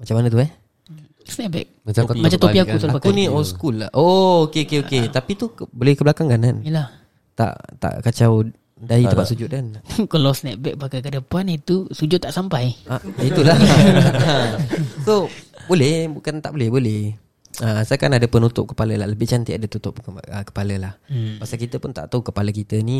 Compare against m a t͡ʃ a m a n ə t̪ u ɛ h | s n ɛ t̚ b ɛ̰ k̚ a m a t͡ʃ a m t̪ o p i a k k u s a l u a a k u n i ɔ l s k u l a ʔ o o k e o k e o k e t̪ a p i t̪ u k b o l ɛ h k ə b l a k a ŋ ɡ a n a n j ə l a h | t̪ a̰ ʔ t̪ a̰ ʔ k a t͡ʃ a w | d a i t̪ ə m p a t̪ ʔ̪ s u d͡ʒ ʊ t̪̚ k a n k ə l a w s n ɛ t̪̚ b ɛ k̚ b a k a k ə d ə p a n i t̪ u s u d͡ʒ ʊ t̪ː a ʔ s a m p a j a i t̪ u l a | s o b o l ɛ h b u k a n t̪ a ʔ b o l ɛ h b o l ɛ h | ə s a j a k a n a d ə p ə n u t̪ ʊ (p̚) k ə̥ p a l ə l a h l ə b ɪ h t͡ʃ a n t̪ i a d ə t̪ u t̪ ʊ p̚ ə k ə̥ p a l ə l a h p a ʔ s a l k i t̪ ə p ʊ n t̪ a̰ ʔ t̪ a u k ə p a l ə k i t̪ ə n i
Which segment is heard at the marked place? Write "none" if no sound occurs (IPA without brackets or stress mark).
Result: p̚